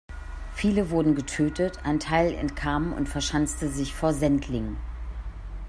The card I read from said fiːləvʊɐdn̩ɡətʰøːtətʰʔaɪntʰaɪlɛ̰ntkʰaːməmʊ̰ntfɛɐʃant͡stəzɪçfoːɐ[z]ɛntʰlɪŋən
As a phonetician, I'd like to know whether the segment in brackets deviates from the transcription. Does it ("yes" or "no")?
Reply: no